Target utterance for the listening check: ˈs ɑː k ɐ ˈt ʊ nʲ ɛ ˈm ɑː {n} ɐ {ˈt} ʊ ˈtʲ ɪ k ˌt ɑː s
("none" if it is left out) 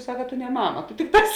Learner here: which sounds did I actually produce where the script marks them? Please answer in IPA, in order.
m, t

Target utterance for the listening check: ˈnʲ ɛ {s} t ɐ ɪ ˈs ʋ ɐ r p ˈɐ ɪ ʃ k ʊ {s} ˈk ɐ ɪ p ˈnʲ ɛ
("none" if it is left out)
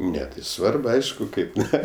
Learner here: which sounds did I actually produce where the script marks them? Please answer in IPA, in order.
none, none

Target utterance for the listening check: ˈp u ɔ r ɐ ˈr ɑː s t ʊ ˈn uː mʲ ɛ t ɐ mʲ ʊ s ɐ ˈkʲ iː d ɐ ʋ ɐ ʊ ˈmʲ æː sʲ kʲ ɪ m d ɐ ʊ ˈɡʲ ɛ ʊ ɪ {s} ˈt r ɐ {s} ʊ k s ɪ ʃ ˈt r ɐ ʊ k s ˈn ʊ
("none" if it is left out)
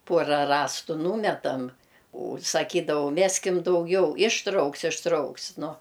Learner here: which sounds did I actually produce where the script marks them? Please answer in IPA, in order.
ʃ, none

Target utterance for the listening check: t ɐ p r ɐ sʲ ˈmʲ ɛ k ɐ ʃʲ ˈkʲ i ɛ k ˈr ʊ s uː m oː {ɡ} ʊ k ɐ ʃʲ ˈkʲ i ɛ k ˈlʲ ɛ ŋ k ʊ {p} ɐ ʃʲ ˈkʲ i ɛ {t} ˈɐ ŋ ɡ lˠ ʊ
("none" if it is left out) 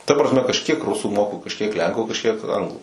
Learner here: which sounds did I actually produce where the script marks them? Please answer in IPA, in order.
k, k, k

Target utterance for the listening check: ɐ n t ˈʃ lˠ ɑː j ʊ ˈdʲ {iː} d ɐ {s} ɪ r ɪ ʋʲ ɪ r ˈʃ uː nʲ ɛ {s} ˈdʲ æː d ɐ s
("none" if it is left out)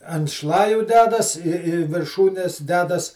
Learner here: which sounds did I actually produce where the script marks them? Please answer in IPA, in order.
æː, s, s

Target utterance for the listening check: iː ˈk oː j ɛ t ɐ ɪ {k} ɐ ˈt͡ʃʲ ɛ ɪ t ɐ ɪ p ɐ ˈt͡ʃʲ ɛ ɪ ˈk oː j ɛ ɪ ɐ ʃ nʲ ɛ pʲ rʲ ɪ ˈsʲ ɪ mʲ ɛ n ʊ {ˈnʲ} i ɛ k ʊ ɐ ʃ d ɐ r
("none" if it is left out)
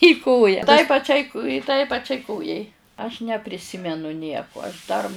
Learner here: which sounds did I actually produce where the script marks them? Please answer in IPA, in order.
p, nʲ

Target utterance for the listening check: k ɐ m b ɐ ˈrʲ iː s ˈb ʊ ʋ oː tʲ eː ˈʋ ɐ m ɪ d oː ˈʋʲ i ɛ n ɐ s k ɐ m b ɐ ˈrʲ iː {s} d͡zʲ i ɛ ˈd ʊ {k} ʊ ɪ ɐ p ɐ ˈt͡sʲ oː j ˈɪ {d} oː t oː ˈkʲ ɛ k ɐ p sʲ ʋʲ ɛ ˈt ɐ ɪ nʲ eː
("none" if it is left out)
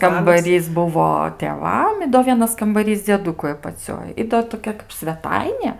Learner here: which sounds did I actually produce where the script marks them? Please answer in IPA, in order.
s, k, d

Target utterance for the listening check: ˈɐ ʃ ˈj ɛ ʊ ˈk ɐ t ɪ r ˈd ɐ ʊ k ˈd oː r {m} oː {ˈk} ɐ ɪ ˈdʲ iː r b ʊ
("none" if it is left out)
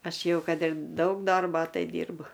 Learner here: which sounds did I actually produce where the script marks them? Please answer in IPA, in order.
b, t

